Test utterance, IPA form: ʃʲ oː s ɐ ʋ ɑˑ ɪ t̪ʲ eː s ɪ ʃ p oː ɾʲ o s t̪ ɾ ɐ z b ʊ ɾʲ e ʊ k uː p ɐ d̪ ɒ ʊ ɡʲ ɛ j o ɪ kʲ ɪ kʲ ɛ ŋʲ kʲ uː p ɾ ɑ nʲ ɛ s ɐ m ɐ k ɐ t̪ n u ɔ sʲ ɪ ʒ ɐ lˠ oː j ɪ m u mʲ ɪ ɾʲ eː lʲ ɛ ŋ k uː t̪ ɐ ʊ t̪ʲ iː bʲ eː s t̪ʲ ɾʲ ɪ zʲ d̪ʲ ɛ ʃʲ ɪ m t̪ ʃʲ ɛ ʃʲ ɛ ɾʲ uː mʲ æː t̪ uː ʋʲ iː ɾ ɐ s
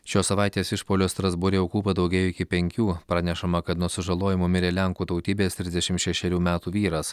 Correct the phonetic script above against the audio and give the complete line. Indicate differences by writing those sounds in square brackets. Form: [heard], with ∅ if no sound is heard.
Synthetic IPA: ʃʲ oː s ɐ ʋ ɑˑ ɪ t̪ʲ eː s ɪ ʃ p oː [lʲ] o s t̪ ɾ ɐ z b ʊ ɾʲ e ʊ k uː p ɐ d̪ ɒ ʊ ɡʲ ɛ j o ɪ kʲ ɪ [pʲ] ɛ ŋʲ kʲ uː p ɾ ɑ nʲ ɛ [ʃ] ɐ m ɐ k ɐ t̪ n u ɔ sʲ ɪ ʒ ɐ lˠ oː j ɪ m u mʲ ɪ ɾʲ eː lʲ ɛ ŋ k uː t̪ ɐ ʊ t̪ʲ iː bʲ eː s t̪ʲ ɾʲ ɪ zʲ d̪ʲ ɛ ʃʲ ɪ m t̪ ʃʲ ɛ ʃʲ ɛ ɾʲ uː mʲ æː t̪ uː ʋʲ iː ɾ ɐ s

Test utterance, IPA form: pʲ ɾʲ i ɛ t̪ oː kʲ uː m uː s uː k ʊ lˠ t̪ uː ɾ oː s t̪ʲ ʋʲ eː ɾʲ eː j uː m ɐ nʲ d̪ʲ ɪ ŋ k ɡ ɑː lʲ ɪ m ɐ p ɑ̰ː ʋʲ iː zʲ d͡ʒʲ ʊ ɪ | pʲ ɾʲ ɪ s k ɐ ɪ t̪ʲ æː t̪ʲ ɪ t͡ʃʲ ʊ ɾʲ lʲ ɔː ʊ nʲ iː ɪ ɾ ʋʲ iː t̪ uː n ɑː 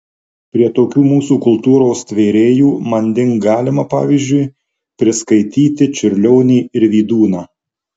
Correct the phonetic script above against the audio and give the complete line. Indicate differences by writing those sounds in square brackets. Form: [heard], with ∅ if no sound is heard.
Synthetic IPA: pʲ ɾʲ i ɛ t̪ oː kʲ uː m uː s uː k ʊ lˠ t̪ uː ɾ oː s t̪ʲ ʋʲ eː ɾʲ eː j uː m ɐ nʲ d̪ʲ ɪ ŋ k ɡ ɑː lʲ ɪ m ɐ p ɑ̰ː ʋʲ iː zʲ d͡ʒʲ ʊ ɪ | pʲ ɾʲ ɪ s k ɐ ɪ t̪ʲ [iː] t̪ʲ ɪ t͡ʃʲ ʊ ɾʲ lʲ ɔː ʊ nʲ iː ɪ ɾ ʋʲ iː [d̪] uː n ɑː

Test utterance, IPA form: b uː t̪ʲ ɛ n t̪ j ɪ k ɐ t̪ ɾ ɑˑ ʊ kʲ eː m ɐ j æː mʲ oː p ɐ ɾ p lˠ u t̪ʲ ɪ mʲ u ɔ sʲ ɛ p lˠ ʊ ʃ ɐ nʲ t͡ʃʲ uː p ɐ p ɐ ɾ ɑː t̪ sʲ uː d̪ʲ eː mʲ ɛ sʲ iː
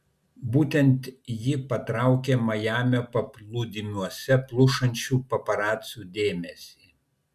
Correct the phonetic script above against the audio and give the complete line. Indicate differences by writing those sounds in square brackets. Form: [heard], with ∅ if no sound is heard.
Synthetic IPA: b uː t̪ʲ ɛ n t̪ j ɪ [p] ɐ t̪ ɾ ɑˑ ʊ kʲ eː m ɐ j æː mʲ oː p ɐ [∅] p lˠ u [d̪ʲ] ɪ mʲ u ɔ sʲ ɛ p lˠ ʊ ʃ ɐ nʲ t͡ʃʲ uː p ɐ p ɐ ɾ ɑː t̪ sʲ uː d̪ʲ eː mʲ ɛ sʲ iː

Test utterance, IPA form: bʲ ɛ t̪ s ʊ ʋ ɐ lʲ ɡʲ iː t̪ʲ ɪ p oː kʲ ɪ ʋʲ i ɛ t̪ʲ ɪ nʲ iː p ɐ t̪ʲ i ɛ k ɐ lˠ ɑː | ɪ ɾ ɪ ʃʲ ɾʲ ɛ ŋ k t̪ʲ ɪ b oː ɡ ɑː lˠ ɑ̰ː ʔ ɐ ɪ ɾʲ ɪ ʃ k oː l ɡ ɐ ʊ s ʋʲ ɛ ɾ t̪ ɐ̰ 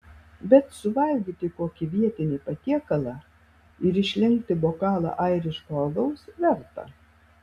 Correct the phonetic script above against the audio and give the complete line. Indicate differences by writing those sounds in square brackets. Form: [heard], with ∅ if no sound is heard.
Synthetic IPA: bʲ ɛ t̪ s ʊ ʋ ɐ lʲ ɡʲ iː t̪ʲ ɪ [k] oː kʲ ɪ ʋʲ i ɛ t̪ʲ ɪ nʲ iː p ɐ t̪ʲ i ɛ k ɐ lˠ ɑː | ɪ ɾ ɪ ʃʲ [lʲ] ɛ ŋ k t̪ʲ ɪ b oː [k] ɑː lˠ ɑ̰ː ʔ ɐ ɪ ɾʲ ɪ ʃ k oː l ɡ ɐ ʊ s ʋʲ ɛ ɾ t̪ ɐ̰

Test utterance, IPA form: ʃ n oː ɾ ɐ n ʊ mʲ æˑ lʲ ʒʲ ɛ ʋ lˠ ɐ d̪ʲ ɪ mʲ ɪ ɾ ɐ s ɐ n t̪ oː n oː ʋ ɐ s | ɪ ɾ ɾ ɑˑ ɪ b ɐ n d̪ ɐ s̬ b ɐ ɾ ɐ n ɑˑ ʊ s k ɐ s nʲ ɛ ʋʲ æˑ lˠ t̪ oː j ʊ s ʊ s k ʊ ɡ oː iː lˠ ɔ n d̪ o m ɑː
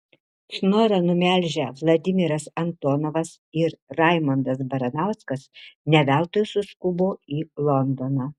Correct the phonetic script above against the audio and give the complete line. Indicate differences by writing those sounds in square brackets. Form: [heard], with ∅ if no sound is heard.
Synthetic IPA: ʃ n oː ɾ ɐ n ʊ mʲ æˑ lʲ ʒʲ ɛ ʋ lˠ ɐ d̪ʲ ɪ mʲ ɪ ɾ ɐ s ɐ n t̪ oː n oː ʋ ɐ s | ɪ ɾ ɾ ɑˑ ɪ [m] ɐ n d̪ ɐ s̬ b ɐ ɾ ɐ n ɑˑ ʊ s k ɐ s nʲ ɛ ʋʲ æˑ lˠ t̪ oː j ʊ s ʊ s k ʊ [b] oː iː lˠ ɔ n d̪ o [n] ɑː

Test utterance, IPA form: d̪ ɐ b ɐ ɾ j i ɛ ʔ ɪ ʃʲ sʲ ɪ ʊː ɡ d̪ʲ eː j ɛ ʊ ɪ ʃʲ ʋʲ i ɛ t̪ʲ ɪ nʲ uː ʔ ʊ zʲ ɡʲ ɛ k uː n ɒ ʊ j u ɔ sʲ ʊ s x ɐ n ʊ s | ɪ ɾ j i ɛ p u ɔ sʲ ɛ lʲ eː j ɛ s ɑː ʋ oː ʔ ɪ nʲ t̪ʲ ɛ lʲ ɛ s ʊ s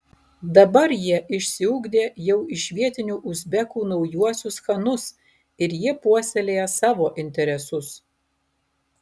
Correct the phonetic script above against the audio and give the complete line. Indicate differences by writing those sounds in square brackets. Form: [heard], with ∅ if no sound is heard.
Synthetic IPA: d̪ ɐ b ɐ ɾ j i ɛ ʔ ɪ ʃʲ sʲ ɪ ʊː ɡ d̪ʲ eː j ɛ ʊ ɪ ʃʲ ʋʲ i ɛ t̪ʲ ɪ nʲ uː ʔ ʊ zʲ [bʲ] ɛ k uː n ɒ ʊ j u ɔ sʲ ʊ s x ɐ n ʊ s | ɪ ɾ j i ɛ p u ɔ sʲ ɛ lʲ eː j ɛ s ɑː ʋ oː ʔ ɪ nʲ t̪ʲ ɛ [ɾʲ] ɛ s ʊ s

